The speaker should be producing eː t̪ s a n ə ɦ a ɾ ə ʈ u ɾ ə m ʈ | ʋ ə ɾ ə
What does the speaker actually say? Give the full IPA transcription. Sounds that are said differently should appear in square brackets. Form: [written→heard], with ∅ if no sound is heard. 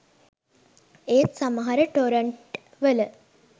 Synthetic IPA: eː t̪ s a [n→m] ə ɦ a ɾ ə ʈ [u→o] ɾ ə [m→ɳ] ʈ | ʋ ə [ɾ→l] ə